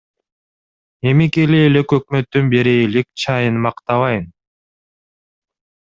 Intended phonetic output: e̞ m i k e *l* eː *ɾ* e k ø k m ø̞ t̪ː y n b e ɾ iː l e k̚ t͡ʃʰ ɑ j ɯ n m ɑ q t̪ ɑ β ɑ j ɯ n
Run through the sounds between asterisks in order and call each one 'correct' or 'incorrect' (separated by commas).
correct, incorrect